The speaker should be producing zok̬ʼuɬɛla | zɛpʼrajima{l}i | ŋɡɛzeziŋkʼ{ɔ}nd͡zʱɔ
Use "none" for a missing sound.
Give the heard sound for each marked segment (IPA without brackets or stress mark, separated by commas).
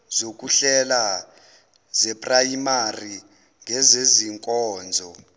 r, ɔː